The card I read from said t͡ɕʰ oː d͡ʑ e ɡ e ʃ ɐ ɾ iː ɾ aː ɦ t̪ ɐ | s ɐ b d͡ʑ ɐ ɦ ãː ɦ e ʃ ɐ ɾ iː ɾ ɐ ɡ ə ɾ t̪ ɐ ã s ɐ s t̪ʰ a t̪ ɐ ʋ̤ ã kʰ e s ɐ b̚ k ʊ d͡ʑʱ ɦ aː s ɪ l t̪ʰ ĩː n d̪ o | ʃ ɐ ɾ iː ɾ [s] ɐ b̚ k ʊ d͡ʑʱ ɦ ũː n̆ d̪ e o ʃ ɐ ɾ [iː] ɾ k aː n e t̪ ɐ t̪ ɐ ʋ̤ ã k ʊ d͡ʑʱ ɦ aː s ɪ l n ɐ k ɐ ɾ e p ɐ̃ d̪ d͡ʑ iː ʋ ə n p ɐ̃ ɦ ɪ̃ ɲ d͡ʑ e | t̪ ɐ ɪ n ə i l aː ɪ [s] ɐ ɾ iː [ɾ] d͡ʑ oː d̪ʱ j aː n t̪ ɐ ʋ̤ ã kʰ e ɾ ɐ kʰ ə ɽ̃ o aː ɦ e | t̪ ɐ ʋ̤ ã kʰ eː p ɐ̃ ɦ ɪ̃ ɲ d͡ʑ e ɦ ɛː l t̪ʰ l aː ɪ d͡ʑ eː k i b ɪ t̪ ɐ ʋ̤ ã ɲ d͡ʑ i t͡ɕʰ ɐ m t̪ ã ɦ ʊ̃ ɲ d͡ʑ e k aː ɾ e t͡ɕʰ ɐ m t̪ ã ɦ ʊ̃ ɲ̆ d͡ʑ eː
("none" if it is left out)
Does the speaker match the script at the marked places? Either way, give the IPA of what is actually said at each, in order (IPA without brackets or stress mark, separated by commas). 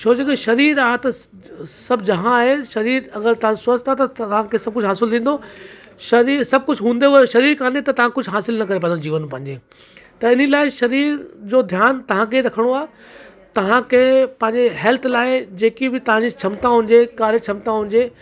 s, iː, ʃ, ɾ